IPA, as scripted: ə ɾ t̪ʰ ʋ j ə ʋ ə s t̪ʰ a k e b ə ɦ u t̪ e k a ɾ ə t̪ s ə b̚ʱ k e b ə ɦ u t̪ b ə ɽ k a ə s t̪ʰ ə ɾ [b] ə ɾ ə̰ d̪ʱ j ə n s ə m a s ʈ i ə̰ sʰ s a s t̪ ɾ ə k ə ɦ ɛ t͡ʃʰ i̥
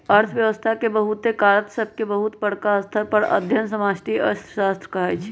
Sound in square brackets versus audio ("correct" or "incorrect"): incorrect